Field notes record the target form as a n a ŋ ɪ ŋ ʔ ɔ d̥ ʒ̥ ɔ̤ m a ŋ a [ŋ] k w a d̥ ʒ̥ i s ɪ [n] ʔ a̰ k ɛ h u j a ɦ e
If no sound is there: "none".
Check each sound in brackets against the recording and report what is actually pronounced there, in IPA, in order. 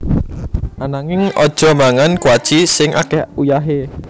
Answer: n, ŋ

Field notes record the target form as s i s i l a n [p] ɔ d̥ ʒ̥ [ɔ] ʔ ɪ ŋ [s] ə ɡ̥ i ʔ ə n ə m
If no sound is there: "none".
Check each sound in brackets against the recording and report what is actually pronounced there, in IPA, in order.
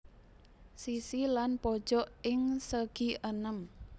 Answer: p, ɔ, s

